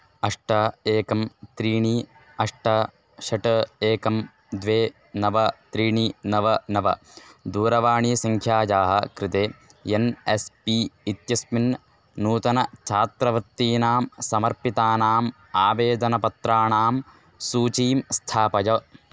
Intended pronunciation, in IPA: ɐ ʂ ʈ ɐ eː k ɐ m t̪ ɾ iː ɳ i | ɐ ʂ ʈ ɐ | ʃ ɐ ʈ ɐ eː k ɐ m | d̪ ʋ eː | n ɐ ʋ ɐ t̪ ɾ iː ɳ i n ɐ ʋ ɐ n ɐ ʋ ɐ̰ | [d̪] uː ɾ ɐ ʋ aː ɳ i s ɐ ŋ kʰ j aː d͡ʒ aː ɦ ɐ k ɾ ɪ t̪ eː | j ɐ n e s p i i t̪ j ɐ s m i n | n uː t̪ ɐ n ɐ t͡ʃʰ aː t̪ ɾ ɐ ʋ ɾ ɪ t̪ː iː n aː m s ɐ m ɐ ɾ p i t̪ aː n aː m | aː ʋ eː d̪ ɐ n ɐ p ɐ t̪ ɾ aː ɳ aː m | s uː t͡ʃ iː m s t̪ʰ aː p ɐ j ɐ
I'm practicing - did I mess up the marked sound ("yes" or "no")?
no